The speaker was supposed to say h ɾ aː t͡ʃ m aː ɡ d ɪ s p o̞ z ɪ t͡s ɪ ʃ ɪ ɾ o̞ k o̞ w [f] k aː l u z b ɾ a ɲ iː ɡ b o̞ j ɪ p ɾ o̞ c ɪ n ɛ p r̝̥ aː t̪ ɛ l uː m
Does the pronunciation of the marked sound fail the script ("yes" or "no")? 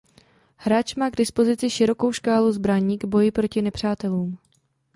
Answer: yes